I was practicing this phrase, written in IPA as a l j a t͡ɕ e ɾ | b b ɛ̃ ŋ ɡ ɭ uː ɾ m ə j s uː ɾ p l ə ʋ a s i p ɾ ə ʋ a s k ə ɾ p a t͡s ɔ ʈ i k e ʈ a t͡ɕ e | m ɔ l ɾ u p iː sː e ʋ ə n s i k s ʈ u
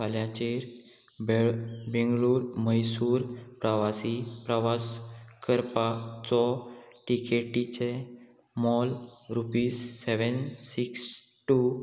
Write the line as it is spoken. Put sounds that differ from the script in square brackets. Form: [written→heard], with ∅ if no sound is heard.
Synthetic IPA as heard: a l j a t͡ɕ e ɾ | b b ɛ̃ ŋ ɡ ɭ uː ɾ m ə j s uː ɾ p [l→ɾ] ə ʋ a s i p ɾ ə ʋ a s k ə ɾ p a t͡s ɔ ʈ i k e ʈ [a→i] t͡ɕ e | m ɔ l ɾ u p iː sː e ʋ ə n s i k s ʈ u